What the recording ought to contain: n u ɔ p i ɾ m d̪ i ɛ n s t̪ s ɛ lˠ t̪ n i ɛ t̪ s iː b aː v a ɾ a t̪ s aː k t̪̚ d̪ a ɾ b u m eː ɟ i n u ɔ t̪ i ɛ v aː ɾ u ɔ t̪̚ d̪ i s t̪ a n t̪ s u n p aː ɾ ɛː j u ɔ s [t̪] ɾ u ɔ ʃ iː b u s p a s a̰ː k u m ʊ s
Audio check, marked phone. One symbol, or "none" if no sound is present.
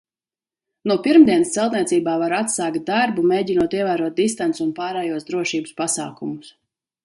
d̪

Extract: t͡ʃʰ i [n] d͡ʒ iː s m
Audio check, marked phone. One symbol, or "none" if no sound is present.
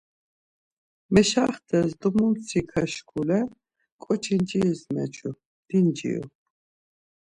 n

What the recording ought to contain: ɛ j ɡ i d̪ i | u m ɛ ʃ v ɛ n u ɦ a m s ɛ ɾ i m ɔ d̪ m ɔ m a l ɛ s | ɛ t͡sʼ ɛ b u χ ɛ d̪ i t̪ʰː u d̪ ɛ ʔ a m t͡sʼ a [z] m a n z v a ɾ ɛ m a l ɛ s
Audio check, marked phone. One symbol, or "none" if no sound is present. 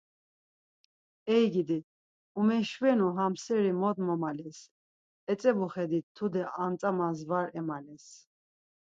none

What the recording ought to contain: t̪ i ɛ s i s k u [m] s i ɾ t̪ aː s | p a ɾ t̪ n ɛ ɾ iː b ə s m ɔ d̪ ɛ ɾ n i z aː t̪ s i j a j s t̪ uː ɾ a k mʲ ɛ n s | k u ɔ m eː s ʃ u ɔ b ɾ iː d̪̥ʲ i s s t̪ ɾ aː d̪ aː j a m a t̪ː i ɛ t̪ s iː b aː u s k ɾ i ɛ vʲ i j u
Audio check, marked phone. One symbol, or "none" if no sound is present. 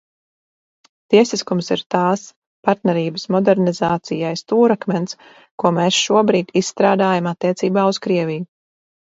m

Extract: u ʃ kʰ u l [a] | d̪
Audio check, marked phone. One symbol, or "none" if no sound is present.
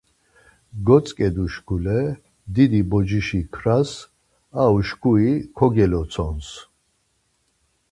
ɛ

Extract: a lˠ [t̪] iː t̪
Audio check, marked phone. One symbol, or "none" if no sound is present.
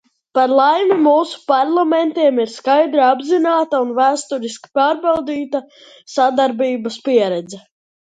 d̪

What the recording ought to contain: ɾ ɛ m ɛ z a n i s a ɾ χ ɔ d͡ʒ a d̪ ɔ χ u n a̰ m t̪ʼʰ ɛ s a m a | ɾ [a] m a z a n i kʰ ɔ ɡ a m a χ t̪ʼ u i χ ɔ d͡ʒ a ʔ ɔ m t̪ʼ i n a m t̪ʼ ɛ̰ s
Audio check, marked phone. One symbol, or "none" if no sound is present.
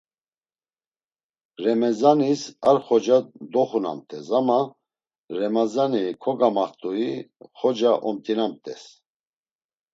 ɛ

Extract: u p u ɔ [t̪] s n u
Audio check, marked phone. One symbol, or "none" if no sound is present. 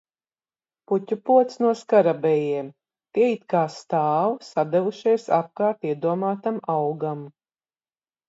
t̪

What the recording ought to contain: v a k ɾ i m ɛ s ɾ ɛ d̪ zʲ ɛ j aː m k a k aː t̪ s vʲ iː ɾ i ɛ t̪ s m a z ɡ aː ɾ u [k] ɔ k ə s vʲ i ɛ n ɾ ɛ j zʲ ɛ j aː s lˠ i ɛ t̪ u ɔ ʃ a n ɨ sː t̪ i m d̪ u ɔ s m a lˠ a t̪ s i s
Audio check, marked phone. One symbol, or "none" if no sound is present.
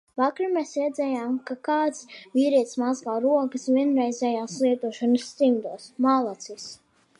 none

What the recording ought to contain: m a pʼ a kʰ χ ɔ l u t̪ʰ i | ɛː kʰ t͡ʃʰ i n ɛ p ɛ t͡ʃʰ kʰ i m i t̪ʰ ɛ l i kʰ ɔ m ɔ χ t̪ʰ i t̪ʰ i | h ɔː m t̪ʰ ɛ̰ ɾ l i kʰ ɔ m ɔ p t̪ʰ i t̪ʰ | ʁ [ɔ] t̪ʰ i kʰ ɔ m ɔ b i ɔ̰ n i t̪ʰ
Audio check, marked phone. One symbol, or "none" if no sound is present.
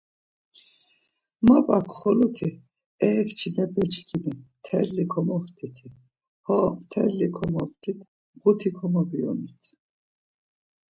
u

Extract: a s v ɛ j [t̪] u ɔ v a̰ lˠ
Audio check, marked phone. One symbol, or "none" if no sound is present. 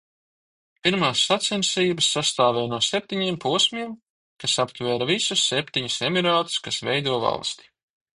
d̪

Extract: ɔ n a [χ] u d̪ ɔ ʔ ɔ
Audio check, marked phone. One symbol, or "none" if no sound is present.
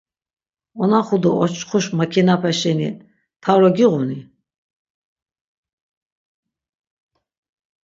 χ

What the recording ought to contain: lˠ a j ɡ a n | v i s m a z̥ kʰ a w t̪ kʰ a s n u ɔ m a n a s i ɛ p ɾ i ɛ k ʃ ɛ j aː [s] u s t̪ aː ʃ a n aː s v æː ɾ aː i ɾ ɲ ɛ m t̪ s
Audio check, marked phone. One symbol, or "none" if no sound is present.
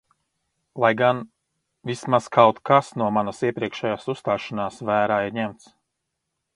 s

